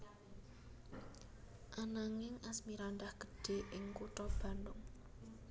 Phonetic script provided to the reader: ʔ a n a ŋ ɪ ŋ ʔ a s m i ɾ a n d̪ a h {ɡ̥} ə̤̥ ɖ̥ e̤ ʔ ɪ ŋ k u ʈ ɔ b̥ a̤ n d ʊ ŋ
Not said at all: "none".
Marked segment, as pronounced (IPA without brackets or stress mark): ɡ̥